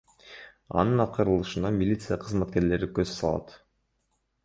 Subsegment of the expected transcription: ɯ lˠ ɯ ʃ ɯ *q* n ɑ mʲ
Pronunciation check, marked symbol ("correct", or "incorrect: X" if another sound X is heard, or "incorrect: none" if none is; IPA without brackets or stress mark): incorrect: none